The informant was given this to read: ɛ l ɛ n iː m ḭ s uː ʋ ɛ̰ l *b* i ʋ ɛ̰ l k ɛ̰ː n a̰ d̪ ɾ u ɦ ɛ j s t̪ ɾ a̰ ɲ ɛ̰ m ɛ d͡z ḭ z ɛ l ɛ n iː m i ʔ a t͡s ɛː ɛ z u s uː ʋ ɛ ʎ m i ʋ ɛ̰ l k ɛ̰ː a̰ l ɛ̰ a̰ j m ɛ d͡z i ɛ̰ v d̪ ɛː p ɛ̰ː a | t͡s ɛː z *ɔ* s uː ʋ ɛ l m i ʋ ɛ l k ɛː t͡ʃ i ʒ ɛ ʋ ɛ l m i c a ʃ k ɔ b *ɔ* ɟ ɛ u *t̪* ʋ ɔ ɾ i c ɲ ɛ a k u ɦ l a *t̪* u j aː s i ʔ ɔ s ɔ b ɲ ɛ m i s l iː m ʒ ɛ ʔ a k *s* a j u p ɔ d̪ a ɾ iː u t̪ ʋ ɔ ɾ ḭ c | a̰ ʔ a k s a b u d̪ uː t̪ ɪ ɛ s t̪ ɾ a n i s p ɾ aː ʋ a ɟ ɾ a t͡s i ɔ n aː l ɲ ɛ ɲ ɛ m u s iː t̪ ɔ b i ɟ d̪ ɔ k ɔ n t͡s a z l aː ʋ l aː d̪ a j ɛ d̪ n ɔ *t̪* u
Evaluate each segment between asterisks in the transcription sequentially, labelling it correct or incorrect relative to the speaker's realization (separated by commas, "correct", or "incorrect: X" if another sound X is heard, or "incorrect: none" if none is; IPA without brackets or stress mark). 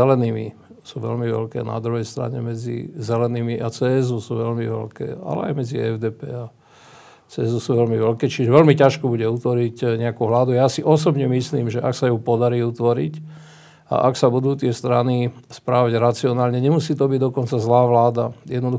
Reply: incorrect: m, incorrect: u, incorrect: u, correct, incorrect: d̪, correct, incorrect: d̪